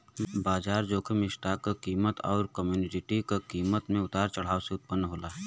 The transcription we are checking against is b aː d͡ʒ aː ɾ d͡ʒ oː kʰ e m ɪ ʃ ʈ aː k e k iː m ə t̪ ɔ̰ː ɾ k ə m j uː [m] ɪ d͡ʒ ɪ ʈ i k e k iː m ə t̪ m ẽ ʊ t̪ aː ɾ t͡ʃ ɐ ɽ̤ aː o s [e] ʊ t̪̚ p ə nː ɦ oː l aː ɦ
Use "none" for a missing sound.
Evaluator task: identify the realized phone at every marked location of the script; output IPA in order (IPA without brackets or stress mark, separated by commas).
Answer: n, e